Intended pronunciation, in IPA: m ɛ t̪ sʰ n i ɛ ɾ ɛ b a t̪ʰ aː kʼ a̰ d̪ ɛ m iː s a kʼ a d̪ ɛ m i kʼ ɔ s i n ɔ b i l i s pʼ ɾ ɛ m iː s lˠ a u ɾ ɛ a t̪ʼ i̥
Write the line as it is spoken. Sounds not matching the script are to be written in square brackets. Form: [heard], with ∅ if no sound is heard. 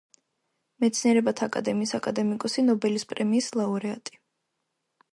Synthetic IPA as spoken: m ɛ t̪ sʰ n i ɛ ɾ ɛ b a t̪ʰ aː kʼ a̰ d̪ ɛ m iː s a kʼ a d̪ ɛ m i kʼ ɔ s i n ɔ b [ɛ] l i s pʼ ɾ ɛ m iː s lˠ a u ɾ ɛ a t̪ʼ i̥